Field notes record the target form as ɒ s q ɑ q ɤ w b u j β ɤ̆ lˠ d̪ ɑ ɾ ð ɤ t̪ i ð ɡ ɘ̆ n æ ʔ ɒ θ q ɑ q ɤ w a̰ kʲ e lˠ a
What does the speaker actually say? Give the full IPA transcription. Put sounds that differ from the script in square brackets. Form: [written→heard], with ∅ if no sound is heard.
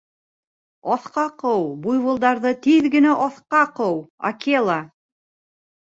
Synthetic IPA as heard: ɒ [s→θ] q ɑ q ɤ w b u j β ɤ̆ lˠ d̪ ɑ ɾ ð ɤ t̪ i ð ɡ ɘ̆ n æ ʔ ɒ θ q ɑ q ɤ w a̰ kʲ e lˠ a